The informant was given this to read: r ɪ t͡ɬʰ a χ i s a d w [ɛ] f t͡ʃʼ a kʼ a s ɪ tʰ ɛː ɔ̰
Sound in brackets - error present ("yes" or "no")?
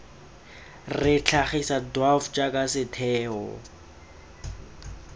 yes